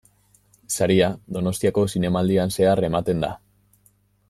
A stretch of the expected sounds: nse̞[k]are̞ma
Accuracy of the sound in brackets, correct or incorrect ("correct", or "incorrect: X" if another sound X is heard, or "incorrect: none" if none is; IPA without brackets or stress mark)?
incorrect: none